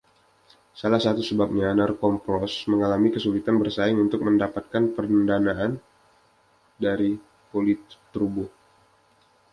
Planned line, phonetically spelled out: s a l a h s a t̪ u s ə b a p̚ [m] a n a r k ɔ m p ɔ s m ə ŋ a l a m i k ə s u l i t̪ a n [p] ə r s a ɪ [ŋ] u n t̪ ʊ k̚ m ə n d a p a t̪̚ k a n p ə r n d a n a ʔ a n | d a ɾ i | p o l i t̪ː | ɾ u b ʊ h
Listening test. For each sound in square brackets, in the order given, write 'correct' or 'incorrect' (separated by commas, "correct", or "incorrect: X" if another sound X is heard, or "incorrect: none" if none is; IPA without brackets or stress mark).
incorrect: ɲ, incorrect: b, correct